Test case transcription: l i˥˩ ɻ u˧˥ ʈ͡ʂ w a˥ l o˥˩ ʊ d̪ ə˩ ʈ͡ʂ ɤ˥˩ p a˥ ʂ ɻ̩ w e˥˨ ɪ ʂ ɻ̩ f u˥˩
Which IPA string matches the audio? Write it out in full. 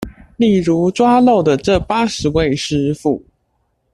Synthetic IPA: l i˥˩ ɻ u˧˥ ʈ͡ʂ w a˥ l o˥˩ ʊ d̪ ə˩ ʈ͡ʂ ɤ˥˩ p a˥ ʂ ɻ̩ w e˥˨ ɪ ʂ ɻ̩ f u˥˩